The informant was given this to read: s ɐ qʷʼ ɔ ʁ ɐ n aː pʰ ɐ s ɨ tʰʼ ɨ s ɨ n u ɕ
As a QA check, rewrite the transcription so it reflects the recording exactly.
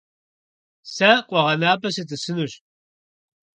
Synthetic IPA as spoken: s ɐ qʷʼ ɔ ʁ ɐ n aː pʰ ɐ s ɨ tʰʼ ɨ s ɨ n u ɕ